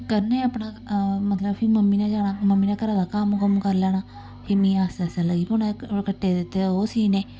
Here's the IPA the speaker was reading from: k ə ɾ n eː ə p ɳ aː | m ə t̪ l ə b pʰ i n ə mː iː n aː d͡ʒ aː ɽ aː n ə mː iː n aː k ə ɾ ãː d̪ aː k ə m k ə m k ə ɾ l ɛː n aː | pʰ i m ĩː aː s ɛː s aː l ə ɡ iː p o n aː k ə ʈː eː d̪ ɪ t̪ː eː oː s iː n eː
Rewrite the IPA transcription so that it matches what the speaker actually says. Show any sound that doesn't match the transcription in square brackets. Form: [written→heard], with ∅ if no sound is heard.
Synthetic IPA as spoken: k ə ɾ n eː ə p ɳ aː | m ə t̪ l ə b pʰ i [n→m] ə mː iː n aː d͡ʒ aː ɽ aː [n→m] ə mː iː n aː k ə ɾ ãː d̪ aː k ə m k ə m k ə ɾ l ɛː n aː | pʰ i m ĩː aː s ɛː s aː l ə ɡ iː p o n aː k ə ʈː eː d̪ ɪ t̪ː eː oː s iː n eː